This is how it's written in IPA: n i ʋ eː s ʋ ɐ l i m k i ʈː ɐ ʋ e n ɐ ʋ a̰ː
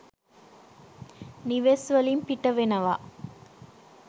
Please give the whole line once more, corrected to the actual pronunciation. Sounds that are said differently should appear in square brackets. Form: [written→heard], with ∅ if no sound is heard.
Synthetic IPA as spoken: n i ʋ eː s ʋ ɐ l i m [k→p] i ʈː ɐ ʋ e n ɐ ʋ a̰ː

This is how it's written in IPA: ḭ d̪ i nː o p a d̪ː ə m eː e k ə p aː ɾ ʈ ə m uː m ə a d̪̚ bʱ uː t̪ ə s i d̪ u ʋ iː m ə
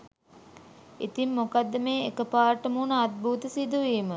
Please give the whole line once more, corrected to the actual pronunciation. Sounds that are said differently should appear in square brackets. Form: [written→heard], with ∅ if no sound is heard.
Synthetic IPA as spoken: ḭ [d̪→t̪] i [nː→mː] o [p→k] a d̪ː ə m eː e k ə p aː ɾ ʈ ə m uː [m→n] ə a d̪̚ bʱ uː t̪ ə s i d̪ u ʋ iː m ə

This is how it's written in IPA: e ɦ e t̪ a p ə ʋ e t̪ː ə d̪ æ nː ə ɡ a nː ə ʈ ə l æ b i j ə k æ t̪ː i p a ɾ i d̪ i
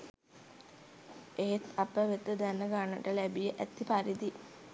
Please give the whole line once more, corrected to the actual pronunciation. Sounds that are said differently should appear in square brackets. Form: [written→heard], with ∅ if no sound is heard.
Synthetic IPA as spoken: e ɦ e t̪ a p ə ʋ e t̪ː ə d̪ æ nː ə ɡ a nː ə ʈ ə l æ b i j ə [k→ʔ] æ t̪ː i p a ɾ i d̪ i

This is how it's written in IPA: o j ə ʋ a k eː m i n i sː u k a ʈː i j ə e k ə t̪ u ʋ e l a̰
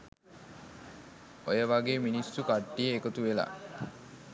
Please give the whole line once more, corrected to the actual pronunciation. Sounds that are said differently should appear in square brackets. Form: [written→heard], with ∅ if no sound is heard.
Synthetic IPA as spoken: o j ə ʋ a [k→ɡ] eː m i n i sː u k a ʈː i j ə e k ə t̪ u ʋ e l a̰

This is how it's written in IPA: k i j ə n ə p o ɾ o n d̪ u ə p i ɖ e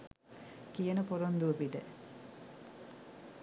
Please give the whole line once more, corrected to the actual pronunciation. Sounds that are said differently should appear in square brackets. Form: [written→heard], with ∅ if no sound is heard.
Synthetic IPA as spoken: k i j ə n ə p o ɾ o n d̪ u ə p i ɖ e

